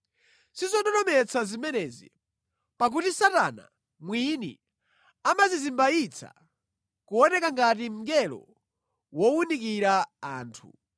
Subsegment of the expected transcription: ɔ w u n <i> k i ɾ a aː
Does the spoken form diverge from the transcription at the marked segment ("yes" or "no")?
no